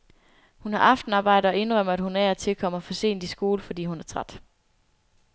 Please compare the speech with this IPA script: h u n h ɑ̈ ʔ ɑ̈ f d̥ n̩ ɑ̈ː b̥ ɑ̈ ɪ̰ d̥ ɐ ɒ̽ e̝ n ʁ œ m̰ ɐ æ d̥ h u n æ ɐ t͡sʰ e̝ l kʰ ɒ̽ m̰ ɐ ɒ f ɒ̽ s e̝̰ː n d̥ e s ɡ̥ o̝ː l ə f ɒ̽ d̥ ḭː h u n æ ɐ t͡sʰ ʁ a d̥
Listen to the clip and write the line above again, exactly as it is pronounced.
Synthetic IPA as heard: h u n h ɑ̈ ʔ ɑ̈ f d̥ n̩ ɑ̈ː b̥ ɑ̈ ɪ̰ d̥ ɐ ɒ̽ e̝ n ʁ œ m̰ ɐ æ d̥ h u n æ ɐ t͡sʰ e̝ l kʰ ɒ̽ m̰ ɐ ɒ f ɒ̽ s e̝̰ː n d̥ i s ɡ̥ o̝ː l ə f ɒ̽ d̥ ḭː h u n æ ɐ t͡sʰ ʁ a d̥